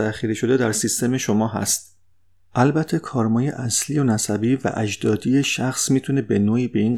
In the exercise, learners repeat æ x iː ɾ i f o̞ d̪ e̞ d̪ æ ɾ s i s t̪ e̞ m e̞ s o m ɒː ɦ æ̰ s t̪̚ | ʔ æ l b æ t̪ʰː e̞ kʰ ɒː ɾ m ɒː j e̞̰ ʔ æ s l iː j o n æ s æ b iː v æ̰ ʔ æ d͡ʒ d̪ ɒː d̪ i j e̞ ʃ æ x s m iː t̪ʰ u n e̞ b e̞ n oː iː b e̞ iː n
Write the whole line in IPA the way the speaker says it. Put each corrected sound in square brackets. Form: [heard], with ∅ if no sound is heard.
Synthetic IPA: æ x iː ɾ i [ʃ] o̞ d̪ e̞ d̪ æ ɾ s i s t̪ e̞ m e̞ [ʃ] o m ɒː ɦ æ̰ s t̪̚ | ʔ æ l b æ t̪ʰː e̞ kʰ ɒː ɾ m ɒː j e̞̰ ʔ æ s l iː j o n æ s æ b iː v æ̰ ʔ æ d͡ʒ d̪ ɒː d̪ i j e̞ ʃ æ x s m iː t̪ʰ u n e̞ b e̞ n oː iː b e̞ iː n